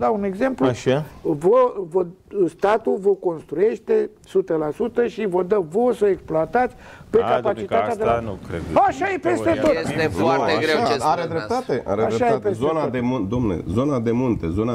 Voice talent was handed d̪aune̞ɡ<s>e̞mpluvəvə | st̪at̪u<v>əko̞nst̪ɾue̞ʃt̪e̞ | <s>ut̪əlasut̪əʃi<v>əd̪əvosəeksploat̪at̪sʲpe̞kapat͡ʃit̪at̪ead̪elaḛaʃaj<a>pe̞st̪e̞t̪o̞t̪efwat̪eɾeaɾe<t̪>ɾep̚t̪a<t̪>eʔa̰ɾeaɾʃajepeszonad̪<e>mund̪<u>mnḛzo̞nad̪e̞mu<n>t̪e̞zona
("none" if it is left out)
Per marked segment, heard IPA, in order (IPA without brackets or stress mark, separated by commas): z, v, s, v, e, d̪, t̪, e, o, n